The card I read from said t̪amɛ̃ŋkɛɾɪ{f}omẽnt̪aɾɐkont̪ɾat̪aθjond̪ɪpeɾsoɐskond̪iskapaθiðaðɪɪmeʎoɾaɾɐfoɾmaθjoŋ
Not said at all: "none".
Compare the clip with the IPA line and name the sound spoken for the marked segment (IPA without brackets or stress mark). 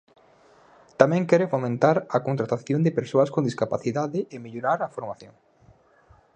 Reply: f